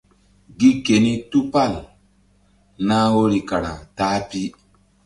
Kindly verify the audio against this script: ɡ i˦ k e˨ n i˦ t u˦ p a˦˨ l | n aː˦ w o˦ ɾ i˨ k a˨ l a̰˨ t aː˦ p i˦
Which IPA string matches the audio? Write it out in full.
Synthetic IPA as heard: ɡ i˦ k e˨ n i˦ t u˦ p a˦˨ l | n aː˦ w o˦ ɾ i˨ k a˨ ɾ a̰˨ t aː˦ p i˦